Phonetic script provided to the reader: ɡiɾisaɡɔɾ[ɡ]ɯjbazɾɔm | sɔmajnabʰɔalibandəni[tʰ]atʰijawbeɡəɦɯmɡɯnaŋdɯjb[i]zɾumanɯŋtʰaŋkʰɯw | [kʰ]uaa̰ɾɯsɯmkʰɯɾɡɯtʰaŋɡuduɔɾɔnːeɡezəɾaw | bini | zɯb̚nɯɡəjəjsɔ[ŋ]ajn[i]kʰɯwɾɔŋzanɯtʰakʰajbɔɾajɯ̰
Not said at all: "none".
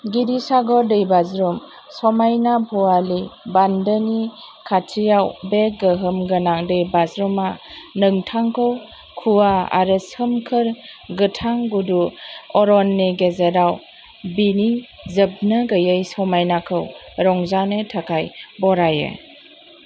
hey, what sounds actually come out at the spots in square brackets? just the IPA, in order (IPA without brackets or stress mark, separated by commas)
d, kʰ, a, kʰ, m, a